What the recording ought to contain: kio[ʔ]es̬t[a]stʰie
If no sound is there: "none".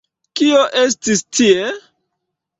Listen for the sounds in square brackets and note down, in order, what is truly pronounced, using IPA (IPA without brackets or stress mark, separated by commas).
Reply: ʔ, i